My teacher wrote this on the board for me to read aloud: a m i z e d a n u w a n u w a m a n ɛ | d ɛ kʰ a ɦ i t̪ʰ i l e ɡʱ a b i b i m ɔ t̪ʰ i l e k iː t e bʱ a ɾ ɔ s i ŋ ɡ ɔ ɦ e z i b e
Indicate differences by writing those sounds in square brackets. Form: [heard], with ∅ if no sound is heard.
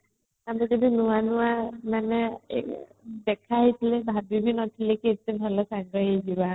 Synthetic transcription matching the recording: a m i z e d [i] n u w a n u w a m a n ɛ | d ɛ kʰ a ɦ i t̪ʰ i l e [bʱ] a b i b i [n] ɔ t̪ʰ i l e k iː t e bʱ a [l] ɔ s [a] ŋ ɡ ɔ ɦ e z i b [a]